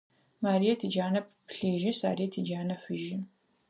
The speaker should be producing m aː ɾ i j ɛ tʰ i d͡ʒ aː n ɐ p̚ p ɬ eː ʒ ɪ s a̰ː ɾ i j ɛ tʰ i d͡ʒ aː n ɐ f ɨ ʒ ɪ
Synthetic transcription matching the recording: m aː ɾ i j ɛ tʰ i d͡ʒ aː n ɐ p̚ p ɬ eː ʒ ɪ s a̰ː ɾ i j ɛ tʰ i d͡ʒ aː n ɐ f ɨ ʒ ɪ